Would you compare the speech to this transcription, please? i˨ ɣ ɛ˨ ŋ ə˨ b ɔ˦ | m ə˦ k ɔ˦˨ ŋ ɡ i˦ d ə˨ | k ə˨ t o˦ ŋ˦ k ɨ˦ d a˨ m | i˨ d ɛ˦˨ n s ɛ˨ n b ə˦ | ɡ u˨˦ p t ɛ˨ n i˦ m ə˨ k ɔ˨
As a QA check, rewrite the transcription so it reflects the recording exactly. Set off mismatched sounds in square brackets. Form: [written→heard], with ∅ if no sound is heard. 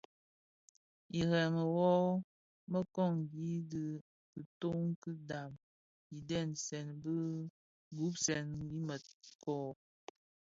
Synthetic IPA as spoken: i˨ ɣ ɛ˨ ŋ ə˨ [b→w] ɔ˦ | m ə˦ k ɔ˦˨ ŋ ɡ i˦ d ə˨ | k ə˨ t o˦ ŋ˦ k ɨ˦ d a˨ m | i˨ d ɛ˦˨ n s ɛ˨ n b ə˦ | ɡ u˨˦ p [t→s] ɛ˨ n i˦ m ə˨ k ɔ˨